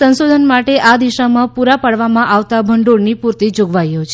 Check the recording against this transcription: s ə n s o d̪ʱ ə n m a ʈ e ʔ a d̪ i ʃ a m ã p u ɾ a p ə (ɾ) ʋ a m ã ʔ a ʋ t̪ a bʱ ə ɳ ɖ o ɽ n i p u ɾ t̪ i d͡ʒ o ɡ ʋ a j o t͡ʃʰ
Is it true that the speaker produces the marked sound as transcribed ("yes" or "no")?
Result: no